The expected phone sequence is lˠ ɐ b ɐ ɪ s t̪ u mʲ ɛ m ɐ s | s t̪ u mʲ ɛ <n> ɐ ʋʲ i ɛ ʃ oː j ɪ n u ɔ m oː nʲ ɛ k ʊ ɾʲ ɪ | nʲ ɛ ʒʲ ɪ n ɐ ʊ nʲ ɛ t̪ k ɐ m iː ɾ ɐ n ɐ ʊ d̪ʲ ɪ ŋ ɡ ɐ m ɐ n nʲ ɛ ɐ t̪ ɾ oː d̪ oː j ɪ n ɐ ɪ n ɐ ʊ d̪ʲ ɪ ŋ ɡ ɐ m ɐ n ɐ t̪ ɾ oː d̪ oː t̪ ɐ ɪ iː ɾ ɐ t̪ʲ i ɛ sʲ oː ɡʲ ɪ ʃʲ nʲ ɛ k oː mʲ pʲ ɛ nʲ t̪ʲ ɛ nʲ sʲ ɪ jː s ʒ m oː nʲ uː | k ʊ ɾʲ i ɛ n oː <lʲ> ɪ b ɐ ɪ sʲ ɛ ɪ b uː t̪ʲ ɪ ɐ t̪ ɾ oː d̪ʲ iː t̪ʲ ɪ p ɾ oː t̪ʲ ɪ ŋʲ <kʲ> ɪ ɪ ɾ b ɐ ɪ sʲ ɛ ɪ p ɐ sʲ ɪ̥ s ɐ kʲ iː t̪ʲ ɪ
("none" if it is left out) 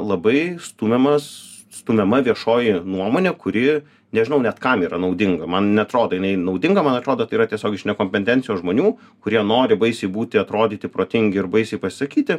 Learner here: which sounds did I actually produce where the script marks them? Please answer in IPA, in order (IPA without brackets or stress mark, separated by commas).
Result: m, ɾʲ, ɡʲ